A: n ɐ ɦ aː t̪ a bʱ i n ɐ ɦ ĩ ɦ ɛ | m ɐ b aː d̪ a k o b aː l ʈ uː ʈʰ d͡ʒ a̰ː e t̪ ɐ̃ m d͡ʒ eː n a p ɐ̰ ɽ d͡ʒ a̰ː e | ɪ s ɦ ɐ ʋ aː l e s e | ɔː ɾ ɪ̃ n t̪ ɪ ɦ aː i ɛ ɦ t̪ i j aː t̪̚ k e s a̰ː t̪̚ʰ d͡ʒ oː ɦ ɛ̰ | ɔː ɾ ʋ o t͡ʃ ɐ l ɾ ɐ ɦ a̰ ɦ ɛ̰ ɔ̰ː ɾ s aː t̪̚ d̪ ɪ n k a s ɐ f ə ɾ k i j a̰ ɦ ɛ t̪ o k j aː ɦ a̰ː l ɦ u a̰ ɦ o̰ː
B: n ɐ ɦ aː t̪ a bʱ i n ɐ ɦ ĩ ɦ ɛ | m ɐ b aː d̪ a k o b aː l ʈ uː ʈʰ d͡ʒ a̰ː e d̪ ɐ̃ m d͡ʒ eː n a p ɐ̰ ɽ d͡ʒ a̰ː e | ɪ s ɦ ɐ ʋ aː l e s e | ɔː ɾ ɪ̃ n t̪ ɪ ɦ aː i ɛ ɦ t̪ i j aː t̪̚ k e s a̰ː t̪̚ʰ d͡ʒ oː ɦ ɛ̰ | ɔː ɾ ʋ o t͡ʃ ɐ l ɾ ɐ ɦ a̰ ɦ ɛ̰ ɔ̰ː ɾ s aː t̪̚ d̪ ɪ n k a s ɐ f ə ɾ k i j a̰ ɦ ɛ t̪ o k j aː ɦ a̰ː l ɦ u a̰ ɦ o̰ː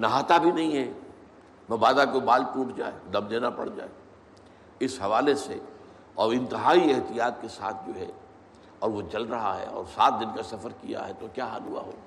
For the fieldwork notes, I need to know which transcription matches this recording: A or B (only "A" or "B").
B